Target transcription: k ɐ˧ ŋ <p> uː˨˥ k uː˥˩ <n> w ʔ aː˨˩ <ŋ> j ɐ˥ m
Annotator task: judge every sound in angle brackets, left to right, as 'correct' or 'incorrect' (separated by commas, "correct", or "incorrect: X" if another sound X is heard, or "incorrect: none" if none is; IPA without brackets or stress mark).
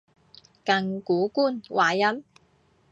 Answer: incorrect: k, correct, incorrect: none